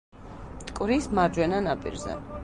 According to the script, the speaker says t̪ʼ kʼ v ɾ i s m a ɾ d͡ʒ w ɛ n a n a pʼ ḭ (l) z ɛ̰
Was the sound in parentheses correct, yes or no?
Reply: no